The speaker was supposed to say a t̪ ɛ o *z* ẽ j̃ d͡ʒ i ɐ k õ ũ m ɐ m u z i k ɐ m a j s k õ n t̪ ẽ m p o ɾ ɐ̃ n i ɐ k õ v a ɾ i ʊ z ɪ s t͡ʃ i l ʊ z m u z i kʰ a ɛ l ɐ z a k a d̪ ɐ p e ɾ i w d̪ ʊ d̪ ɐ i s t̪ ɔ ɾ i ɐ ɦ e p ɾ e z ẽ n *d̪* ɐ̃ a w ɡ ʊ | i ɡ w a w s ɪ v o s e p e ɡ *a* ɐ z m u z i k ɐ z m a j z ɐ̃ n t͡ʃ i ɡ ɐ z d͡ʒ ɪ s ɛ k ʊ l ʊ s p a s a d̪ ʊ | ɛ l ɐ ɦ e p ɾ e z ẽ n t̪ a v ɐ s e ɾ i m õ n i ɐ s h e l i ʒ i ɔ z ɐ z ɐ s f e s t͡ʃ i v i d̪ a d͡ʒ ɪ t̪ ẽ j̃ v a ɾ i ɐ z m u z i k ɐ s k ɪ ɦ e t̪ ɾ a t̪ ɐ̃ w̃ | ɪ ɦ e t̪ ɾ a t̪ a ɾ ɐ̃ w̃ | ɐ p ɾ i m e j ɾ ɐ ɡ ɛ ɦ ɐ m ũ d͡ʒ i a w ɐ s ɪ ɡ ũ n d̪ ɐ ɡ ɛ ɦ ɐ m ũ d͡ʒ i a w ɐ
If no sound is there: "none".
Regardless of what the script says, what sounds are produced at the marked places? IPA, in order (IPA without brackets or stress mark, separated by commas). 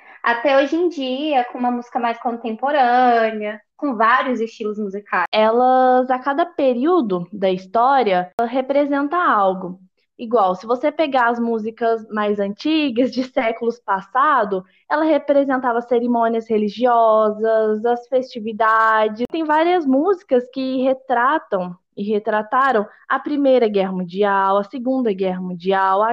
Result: ʒ, t̪, a